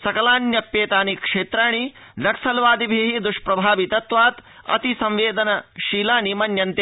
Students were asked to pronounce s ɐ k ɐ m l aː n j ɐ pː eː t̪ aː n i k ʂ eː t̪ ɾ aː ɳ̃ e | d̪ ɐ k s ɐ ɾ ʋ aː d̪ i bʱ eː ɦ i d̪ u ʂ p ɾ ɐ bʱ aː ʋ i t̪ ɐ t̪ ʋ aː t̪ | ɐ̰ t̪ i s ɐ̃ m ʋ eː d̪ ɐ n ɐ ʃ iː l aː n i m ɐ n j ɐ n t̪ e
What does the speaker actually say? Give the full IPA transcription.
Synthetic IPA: s ɐ k ɐ l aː n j ɐ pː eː t̪ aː n i k ʂ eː t̪ ɾ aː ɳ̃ i | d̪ ɐ k s ɐ l ʋ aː d̪ i bʱ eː ɦ i d̪ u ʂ p ɾ ɐ bʱ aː ʋ i t̪ ɐ t̪ ʋ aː t̪ | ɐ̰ t̪ i s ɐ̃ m ʋ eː d̪ ɐ n ɐ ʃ iː l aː n i m ɐ n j ɐ n t̪ e